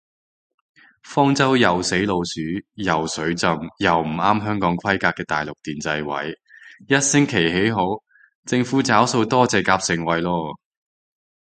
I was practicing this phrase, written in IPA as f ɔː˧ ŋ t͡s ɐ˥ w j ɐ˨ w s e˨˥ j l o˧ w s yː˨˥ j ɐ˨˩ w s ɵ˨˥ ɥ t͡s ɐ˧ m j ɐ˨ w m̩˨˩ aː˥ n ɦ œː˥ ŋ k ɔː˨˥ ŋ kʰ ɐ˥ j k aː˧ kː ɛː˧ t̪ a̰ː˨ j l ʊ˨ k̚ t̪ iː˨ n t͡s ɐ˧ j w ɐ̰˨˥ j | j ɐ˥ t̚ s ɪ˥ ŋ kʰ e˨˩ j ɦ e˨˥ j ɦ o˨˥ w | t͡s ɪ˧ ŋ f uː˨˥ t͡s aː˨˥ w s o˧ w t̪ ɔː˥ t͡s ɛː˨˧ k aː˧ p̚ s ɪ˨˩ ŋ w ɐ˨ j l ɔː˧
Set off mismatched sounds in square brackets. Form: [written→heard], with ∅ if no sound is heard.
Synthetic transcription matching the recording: f [ɔː˧→ɔː˥] ŋ t͡s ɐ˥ w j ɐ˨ w s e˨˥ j l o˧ w s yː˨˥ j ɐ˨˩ w s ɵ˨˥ ɥ t͡s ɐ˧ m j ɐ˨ w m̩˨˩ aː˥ [n→m] ɦ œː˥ ŋ k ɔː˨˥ ŋ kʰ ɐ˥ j k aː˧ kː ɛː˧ t̪ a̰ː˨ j l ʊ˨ k̚ t̪ iː˨ n t͡s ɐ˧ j w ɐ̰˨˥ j | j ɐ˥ t̚ s ɪ˥ ŋ kʰ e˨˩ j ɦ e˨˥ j ɦ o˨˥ w | t͡s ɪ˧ ŋ f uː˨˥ t͡s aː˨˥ w s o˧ w t̪ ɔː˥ t͡s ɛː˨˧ k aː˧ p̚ s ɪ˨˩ ŋ w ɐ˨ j l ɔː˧